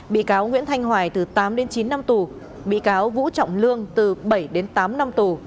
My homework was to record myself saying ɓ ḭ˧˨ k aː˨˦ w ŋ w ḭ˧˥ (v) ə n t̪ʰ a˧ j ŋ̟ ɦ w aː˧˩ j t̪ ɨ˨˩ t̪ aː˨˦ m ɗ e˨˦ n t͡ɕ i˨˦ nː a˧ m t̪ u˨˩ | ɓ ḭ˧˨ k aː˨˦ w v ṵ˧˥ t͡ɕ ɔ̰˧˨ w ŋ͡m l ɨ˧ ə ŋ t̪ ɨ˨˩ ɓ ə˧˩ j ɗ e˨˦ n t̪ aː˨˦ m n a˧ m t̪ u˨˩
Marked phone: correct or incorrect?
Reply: incorrect: none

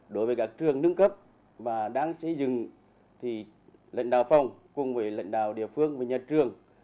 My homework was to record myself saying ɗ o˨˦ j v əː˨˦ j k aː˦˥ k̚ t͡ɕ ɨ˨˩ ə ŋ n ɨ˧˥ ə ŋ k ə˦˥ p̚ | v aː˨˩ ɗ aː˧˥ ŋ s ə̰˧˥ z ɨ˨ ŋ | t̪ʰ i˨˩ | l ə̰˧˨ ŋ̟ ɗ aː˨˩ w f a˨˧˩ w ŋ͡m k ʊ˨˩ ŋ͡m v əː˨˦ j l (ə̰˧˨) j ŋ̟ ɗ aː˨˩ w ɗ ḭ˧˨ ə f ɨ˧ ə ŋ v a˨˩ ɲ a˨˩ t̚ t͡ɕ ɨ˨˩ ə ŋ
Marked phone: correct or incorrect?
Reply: correct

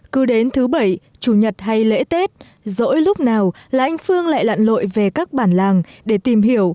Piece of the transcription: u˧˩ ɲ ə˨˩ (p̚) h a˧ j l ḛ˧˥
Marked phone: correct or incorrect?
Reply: incorrect: t̚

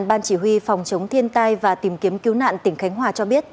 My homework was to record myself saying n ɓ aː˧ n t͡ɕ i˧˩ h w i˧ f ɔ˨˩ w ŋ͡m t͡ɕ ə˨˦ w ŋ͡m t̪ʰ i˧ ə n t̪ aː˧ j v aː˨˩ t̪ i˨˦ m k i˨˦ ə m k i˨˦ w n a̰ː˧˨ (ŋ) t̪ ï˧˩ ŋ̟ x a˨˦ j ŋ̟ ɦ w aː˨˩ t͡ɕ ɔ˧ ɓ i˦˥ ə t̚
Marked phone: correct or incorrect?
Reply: incorrect: n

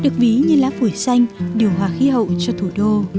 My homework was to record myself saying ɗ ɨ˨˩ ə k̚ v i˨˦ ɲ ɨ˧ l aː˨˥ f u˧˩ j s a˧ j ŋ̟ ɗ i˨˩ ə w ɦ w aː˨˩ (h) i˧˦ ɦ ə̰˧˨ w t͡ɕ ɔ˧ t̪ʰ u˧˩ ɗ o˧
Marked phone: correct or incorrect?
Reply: incorrect: x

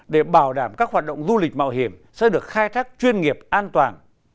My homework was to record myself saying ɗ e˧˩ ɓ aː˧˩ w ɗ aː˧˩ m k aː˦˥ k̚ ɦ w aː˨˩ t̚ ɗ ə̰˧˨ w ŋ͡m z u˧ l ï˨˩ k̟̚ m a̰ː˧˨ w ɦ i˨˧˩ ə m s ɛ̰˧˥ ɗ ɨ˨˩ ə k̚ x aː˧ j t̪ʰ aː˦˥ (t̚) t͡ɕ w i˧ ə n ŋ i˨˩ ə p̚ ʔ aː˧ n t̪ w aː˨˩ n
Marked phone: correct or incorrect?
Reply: incorrect: k̚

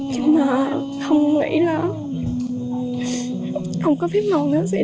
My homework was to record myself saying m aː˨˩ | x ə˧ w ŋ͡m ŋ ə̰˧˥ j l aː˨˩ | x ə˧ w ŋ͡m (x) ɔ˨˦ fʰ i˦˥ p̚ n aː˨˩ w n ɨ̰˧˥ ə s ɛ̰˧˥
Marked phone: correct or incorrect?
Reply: incorrect: k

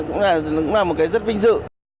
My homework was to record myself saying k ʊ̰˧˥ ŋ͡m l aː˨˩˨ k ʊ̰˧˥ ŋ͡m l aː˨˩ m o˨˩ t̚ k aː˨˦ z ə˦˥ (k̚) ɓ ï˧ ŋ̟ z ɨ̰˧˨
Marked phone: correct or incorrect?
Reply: incorrect: t̚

